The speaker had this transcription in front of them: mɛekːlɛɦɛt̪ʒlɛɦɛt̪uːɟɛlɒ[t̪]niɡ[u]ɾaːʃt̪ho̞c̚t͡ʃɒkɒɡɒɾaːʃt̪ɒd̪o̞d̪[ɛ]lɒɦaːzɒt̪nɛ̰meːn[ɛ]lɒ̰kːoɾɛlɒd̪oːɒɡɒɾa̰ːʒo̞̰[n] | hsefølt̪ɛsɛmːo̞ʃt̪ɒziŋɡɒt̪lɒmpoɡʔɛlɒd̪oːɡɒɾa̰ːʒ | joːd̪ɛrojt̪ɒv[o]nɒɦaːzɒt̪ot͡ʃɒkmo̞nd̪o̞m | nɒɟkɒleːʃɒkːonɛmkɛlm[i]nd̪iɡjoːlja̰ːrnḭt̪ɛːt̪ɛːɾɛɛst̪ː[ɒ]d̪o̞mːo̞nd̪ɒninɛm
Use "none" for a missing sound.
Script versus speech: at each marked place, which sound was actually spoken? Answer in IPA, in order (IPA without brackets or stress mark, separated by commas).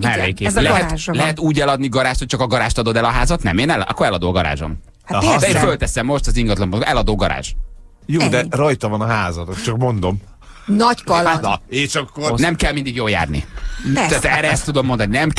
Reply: d̪, ɒ, ɛ, ɛ, m, ɒ, i, u